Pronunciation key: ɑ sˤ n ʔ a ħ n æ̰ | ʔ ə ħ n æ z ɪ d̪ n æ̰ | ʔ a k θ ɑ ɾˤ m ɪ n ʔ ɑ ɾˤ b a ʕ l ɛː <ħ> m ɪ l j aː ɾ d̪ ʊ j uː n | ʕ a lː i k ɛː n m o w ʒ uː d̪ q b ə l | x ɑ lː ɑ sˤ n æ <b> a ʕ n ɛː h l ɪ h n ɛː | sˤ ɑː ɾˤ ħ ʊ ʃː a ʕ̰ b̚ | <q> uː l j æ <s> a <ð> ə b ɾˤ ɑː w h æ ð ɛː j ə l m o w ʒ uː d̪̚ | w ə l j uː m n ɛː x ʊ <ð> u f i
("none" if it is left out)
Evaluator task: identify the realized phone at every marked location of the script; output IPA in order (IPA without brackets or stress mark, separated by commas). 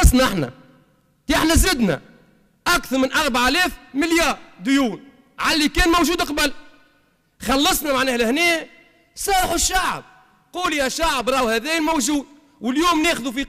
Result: f, m, q, ʃ, ʕ, ð